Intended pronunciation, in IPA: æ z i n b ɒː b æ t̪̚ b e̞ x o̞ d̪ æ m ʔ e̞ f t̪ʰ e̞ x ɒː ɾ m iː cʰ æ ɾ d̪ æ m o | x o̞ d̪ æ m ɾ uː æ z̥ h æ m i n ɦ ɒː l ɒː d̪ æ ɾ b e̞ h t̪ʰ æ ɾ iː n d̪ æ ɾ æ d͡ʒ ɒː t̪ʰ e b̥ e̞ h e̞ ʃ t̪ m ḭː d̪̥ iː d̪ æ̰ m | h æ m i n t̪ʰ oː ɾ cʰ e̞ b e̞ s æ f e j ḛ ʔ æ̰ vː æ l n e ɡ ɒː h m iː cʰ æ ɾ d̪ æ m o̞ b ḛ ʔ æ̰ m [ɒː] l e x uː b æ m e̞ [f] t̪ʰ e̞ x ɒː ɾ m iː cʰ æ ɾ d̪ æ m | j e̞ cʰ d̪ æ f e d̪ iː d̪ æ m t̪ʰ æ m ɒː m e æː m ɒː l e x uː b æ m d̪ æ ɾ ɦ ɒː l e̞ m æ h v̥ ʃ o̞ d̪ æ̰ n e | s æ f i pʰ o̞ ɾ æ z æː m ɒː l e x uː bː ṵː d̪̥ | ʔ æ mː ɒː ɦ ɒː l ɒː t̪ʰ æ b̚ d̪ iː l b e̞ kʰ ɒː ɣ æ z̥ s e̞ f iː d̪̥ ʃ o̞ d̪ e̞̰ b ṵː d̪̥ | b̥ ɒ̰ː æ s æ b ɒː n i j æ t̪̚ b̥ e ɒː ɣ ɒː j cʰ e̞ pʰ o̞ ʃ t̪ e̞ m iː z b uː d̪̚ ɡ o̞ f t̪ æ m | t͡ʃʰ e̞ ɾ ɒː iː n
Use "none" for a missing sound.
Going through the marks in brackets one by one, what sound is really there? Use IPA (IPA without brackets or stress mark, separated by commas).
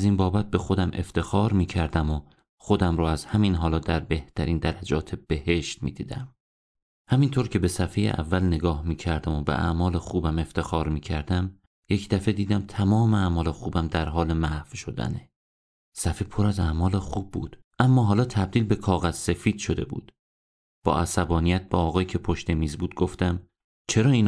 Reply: ɒː, f